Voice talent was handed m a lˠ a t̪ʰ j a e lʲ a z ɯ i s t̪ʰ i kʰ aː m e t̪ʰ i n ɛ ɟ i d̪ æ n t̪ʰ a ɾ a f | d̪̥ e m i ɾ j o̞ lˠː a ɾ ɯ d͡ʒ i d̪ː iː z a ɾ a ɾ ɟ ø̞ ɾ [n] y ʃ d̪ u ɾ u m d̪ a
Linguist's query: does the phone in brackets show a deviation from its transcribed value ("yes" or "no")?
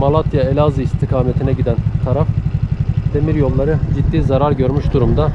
yes